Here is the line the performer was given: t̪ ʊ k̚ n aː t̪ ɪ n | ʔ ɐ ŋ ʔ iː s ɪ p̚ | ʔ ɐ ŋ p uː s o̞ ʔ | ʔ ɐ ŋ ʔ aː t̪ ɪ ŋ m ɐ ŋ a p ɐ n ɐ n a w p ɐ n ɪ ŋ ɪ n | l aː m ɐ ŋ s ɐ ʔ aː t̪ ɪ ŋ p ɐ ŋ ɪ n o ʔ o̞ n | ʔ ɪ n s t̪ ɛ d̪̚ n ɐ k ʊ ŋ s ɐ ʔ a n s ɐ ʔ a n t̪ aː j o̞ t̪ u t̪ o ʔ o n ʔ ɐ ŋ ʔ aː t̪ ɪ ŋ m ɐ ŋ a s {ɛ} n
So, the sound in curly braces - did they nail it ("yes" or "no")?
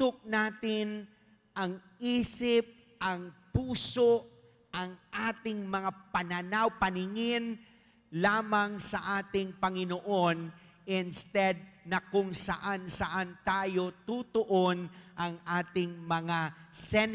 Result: yes